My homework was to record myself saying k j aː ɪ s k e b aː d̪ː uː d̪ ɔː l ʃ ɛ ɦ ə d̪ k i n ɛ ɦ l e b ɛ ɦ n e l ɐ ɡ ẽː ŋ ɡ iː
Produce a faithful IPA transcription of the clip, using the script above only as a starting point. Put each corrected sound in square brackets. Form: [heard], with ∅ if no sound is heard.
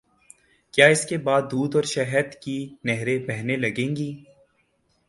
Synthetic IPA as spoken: k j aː ɪ s k e b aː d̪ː uː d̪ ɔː [ɾ] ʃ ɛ ɦ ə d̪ k i n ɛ ɦ [ɾ] e b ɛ ɦ n e l ɐ ɡ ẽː ŋ ɡ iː